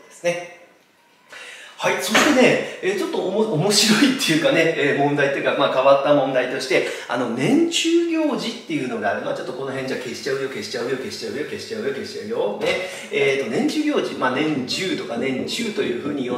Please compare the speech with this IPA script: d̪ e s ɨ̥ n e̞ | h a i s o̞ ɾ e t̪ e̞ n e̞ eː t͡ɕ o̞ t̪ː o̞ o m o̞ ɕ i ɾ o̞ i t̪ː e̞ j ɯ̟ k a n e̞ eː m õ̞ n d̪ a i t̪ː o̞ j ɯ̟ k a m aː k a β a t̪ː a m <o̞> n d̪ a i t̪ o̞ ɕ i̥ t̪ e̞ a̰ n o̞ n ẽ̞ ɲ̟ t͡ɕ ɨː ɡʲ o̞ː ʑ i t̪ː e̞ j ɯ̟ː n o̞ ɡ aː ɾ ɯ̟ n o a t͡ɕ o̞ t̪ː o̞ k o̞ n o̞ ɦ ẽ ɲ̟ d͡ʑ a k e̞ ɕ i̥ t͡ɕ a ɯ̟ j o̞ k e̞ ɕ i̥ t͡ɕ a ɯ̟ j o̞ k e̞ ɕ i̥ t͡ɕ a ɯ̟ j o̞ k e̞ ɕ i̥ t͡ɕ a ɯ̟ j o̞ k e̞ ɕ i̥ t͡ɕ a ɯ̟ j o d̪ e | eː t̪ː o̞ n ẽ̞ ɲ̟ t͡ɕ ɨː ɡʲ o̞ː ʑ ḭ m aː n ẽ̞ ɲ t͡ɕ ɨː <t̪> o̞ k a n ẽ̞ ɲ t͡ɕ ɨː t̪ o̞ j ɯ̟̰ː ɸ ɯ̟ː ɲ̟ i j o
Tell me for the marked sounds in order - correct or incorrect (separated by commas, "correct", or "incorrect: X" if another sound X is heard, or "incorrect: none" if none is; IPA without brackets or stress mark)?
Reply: incorrect: õ̞, correct